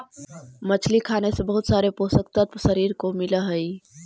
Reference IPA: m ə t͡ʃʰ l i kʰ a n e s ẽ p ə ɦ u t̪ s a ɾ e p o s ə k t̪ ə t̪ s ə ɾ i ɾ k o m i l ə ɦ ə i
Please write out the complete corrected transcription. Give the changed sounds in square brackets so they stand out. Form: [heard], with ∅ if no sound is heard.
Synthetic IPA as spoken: m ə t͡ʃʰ l i kʰ a n e s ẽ [b] ə ɦ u t̪ s a ɾ e p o s ə k t̪ ə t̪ s ə ɾ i ɾ k o m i l ə ɦ ə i